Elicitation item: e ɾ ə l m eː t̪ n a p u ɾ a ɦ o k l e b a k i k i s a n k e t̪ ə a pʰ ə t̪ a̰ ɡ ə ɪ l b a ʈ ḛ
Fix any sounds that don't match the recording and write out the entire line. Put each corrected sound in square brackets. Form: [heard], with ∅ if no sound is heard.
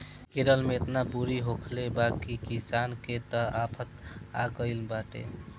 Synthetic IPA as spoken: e ɾ ə l m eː t̪ n a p u ɾ [i] ɦ o [kʰ] l e b a k i k i s a n k e t̪ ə a pʰ ə t̪ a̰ ɡ ə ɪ l b a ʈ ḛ